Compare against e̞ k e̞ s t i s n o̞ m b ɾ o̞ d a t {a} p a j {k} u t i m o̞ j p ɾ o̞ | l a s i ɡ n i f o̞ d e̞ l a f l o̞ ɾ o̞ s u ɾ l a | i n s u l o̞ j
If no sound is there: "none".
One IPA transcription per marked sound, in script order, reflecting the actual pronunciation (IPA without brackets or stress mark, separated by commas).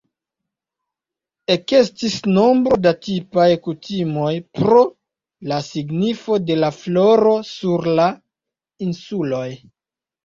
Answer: i, k